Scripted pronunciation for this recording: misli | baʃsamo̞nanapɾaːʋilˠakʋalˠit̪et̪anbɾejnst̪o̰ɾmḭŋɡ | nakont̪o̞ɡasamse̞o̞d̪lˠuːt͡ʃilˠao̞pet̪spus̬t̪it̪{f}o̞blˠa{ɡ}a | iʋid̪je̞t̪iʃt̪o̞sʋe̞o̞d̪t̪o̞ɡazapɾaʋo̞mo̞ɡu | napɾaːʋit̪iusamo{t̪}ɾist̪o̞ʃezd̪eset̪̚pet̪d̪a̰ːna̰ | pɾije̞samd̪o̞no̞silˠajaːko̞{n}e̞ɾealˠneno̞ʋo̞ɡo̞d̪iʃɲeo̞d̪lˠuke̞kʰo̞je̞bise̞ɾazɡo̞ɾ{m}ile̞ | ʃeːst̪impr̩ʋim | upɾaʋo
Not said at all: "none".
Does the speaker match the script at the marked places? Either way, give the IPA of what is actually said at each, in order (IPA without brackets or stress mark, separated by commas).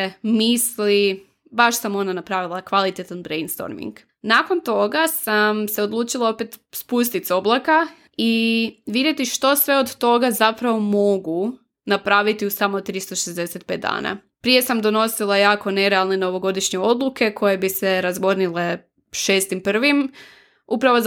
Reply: s, k, t̪, n, n